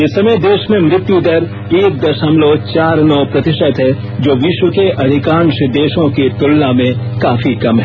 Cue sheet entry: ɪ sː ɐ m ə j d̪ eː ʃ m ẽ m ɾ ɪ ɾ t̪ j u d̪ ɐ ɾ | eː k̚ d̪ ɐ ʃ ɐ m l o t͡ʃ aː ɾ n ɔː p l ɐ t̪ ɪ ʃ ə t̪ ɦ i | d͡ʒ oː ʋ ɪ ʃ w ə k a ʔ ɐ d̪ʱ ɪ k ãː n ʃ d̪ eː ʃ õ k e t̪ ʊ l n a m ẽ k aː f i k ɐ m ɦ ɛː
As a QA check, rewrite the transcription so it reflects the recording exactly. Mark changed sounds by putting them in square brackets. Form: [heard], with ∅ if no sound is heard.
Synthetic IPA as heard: ɪ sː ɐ m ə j d̪ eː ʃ m ẽ m ɾ ɪ [∅] t̪ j u d̪ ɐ ɾ | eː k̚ d̪ ɐ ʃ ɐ m l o t͡ʃ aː ɾ n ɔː p [ɾ] ɐ t̪ ɪ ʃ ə t̪ ɦ [ɛ] | d͡ʒ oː ʋ ɪ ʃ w ə k [e] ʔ ɐ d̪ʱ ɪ k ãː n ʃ d̪ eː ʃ õ k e t̪ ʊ l n a m ẽ k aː f i k ɐ m ɦ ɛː